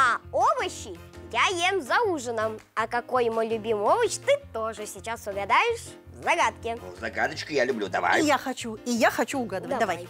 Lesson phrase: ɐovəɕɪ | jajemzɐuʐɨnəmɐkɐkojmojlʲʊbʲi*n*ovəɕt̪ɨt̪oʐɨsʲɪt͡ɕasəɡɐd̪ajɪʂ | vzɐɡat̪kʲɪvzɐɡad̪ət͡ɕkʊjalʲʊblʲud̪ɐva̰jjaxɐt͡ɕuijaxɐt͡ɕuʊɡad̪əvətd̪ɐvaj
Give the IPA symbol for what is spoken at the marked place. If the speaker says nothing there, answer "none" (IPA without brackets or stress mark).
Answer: m